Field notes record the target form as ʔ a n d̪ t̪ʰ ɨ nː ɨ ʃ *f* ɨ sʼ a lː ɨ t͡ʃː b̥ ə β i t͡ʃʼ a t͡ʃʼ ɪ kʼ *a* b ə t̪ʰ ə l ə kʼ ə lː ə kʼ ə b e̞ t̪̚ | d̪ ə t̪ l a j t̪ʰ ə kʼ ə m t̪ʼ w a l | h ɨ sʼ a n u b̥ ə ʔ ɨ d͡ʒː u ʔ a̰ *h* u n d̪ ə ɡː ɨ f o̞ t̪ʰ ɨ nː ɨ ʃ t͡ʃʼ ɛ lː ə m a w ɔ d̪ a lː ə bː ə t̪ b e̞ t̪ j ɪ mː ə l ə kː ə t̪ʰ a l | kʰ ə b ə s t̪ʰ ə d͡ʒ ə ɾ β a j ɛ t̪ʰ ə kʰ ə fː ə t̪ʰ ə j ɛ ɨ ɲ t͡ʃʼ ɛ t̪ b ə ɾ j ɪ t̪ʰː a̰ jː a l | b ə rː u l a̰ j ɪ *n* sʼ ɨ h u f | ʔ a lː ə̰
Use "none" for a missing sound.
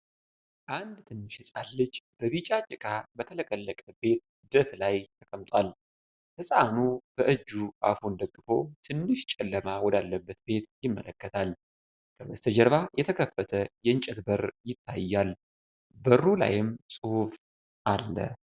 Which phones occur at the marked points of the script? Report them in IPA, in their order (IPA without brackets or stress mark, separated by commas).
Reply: h, a, f, m